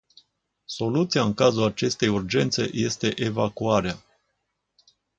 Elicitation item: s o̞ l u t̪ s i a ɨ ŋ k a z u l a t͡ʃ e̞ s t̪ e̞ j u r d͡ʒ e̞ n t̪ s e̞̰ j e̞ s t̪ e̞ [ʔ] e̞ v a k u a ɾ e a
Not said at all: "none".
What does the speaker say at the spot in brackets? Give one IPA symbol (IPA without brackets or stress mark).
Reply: ʔ